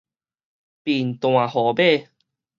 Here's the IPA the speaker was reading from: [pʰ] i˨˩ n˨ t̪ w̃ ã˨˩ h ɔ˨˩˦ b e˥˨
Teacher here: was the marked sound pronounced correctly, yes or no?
no